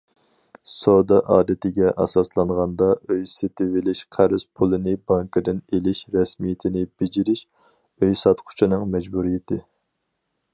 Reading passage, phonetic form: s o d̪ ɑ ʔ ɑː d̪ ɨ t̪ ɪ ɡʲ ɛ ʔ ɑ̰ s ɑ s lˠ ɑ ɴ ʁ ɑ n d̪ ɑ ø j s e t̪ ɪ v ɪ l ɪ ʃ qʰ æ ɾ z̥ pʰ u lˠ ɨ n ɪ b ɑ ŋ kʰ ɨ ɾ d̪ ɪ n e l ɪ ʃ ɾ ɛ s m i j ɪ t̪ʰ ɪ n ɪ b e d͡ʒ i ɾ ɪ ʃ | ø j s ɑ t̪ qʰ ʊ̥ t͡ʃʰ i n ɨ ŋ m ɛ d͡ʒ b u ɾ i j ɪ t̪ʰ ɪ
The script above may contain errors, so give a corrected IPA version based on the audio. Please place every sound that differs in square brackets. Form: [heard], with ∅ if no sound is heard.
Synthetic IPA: s o d̪ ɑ ʔ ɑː d̪ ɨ t̪ ɪ ɡʲ ɛ ʔ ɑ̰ s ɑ s lˠ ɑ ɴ ʁ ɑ n d̪ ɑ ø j s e t̪ ɪ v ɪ l ɪ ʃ qʰ æ ɾ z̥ pʰ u lˠ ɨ n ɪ b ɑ ŋ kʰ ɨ [∅] d̪ ɪ n e l ɪ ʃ ɾ ɛ s m i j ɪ t̪ʰ ɪ n ɪ b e d͡ʒ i ɾ ɪ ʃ | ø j s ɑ t̪ qʰ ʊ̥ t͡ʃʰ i n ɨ ŋ m ɛ d͡ʒ b u ɾ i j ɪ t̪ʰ ɪ